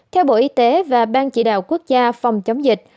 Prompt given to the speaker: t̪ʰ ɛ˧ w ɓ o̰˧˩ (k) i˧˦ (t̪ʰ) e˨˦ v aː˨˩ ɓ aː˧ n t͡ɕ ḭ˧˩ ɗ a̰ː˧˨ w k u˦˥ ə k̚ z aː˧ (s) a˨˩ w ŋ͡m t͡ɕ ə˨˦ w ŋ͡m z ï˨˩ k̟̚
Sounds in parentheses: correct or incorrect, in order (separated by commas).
incorrect, incorrect, incorrect